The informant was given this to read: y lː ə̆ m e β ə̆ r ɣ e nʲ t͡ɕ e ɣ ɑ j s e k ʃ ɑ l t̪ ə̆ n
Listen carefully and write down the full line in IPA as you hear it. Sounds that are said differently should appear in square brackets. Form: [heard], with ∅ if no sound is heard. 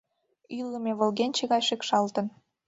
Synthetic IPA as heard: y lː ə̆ m e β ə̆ [l] ɣ e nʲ t͡ɕ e ɣ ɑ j [ʃ] e k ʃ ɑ l t̪ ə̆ n